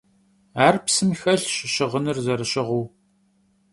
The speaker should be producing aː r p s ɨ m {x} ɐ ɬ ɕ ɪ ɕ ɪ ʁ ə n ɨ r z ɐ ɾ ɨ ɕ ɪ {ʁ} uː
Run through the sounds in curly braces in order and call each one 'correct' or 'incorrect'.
correct, correct

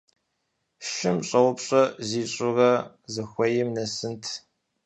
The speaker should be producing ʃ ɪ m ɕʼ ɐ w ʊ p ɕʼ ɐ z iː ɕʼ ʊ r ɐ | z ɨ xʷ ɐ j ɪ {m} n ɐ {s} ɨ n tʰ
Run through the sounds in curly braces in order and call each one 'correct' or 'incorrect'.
correct, correct

